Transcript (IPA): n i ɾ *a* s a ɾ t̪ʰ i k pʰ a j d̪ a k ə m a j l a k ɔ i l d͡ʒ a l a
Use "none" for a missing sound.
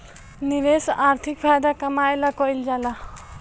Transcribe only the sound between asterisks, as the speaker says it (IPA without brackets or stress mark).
e